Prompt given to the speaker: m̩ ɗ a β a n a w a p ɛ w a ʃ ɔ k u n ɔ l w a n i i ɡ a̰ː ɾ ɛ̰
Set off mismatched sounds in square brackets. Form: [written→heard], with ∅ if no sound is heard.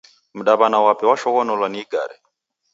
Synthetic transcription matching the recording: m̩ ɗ a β a n a w a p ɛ w a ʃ ɔ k [u→ɔ] n ɔ l w a n i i ɡ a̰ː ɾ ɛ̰